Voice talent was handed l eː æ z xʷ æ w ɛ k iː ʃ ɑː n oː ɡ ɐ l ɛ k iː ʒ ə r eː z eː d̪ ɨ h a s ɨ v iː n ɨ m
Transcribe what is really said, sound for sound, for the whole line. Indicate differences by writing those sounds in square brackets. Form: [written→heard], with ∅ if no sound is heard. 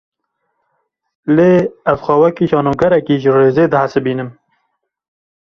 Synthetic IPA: l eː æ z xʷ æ w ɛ k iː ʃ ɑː n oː ɡ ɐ [l→ɾ] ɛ k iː ʒ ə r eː z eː d̪ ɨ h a s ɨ [v→b] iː n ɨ m